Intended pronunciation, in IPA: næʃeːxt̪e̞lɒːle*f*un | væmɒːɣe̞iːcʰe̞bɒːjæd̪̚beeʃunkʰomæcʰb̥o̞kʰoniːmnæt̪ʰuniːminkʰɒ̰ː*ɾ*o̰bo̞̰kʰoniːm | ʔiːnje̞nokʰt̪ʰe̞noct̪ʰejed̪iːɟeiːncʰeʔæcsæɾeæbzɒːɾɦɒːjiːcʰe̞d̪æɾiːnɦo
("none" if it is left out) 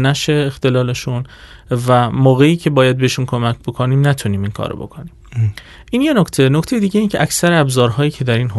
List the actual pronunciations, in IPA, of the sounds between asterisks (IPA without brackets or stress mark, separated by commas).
ʃ, ɾ